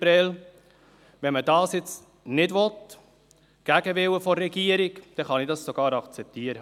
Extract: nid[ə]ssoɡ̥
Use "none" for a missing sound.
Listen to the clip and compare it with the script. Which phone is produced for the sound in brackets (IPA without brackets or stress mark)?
ɑ